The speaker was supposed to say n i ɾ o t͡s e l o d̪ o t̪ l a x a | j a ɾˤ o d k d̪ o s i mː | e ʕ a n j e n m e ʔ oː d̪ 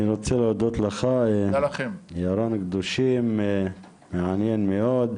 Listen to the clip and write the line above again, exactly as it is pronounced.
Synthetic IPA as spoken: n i ɾ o t͡s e l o d̪ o t̪ l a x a | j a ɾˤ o n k d̪ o ʃ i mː | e ʕ a n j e n m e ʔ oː d̪